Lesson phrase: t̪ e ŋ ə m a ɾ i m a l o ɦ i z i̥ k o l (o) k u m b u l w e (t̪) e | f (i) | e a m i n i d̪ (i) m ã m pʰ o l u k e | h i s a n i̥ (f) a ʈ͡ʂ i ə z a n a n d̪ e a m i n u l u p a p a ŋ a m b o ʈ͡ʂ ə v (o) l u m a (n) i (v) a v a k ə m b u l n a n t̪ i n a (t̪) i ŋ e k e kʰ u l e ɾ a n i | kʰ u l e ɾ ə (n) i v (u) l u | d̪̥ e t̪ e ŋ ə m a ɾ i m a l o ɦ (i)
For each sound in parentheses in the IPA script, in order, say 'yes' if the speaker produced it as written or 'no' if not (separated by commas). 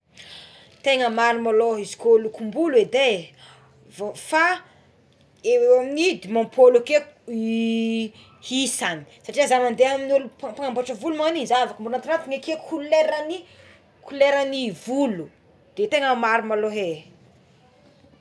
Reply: no, no, no, yes, no, no, yes, no, yes, yes, yes, no